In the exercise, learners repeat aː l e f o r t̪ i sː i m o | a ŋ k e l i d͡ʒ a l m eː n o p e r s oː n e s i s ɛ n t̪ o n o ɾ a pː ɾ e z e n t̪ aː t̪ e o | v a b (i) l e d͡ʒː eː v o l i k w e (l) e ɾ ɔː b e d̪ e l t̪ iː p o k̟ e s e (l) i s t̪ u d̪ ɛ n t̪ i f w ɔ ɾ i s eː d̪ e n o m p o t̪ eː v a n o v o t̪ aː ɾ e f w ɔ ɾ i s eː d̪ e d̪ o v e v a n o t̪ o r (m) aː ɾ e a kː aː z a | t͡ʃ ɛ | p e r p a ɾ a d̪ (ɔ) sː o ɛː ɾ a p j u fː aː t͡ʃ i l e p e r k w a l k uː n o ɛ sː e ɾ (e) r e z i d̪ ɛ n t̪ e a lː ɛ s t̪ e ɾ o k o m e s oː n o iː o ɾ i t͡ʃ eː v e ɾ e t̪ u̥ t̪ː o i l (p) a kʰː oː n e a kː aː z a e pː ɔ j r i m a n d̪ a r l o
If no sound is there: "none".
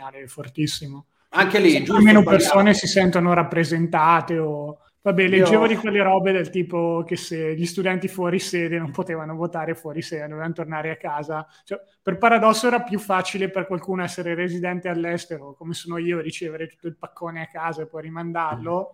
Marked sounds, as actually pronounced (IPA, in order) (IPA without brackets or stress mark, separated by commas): ɛ, lː, ʎ, n, ɔ, e, p